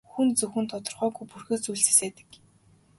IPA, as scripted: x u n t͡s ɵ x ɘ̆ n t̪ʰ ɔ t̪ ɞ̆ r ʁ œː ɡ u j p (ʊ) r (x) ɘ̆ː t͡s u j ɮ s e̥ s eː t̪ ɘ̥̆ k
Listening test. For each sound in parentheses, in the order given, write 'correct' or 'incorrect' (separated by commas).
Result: incorrect, correct